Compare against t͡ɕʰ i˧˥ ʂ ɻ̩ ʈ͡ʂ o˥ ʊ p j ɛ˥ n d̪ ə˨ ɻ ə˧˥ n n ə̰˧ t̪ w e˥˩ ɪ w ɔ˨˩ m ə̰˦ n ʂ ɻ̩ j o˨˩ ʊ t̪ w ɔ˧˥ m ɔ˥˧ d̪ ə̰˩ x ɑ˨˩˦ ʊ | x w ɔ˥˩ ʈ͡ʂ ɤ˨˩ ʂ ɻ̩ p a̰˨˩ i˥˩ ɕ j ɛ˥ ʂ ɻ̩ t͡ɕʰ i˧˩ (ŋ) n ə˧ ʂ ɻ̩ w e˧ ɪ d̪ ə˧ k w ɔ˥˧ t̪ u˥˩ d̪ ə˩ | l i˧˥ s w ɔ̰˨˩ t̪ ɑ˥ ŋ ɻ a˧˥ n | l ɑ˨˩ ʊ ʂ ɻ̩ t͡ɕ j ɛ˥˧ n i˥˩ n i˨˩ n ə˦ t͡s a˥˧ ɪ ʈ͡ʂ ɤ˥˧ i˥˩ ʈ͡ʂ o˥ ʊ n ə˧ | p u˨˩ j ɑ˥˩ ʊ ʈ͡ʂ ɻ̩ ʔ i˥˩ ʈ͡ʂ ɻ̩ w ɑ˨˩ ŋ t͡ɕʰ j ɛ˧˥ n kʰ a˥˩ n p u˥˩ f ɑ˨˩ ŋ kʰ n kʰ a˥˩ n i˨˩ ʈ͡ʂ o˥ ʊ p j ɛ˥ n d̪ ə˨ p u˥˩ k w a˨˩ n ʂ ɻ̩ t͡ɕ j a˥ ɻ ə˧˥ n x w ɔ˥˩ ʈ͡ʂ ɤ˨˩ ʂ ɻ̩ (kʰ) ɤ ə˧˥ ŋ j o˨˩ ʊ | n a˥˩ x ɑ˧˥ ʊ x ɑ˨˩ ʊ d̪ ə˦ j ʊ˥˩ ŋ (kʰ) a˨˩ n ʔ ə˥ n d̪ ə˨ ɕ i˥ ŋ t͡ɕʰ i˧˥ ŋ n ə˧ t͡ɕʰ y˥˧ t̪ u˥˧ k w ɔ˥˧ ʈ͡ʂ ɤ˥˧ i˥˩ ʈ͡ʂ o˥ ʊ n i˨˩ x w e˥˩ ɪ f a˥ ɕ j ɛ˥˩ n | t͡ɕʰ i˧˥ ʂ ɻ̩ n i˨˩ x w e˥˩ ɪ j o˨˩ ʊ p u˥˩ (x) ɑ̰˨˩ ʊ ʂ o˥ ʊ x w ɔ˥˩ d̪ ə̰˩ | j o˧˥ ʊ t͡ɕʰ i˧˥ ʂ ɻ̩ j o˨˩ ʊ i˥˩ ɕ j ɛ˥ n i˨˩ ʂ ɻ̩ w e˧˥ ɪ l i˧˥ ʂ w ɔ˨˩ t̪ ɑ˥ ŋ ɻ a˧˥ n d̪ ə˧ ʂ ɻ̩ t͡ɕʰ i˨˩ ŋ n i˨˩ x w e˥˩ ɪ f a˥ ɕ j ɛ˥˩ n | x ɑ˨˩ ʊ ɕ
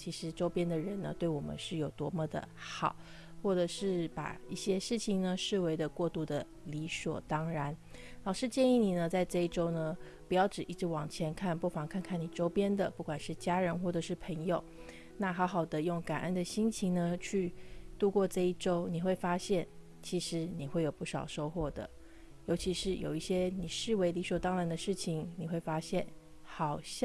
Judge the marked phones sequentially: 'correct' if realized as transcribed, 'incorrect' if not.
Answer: correct, incorrect, incorrect, incorrect

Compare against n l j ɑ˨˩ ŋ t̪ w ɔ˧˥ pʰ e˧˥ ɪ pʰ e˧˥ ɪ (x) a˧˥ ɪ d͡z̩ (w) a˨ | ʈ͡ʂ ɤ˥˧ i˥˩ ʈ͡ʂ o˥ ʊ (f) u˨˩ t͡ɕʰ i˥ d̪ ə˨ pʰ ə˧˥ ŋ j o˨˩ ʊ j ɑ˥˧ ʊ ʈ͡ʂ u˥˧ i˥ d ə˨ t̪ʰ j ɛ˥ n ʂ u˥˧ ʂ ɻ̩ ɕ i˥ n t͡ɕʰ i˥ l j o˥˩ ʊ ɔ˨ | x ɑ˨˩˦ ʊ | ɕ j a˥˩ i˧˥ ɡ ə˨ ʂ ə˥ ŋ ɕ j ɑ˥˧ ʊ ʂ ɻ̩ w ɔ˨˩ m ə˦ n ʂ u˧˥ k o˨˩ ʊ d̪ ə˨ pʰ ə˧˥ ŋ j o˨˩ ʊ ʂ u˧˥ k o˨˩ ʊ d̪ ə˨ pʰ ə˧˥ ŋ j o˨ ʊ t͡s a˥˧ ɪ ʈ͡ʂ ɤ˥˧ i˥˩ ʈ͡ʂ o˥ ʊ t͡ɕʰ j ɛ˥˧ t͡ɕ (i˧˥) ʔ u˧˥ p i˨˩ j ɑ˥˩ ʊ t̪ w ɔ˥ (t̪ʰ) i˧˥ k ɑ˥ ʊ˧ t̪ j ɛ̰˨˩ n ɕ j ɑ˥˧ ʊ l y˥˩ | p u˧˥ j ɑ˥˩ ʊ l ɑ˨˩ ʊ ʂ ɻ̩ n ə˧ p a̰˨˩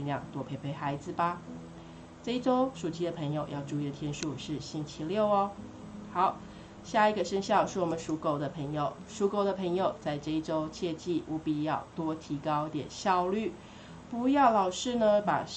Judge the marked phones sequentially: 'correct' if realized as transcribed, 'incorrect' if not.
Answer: correct, incorrect, incorrect, incorrect, correct

